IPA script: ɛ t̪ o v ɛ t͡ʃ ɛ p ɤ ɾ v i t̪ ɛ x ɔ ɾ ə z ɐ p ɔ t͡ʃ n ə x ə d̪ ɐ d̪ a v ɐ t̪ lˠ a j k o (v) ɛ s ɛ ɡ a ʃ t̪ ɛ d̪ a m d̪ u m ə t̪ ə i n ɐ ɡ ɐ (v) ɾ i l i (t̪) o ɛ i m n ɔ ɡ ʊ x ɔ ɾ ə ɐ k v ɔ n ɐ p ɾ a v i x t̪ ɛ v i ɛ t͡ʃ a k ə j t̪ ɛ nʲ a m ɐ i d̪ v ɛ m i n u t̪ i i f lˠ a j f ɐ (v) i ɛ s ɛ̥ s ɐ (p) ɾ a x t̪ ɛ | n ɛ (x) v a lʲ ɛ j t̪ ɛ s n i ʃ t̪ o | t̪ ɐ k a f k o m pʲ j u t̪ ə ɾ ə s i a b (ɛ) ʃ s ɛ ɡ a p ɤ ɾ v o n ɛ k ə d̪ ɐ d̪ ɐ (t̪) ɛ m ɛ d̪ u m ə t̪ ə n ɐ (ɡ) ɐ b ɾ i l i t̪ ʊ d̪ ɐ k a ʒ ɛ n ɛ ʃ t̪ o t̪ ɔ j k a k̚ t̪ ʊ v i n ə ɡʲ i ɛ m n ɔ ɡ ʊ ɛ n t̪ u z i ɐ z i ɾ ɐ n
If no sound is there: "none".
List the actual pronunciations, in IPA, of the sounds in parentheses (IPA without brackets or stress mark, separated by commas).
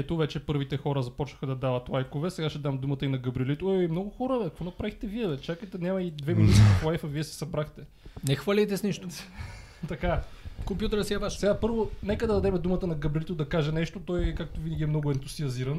v, b, t̪, v, b, x, a, d̪, ɡ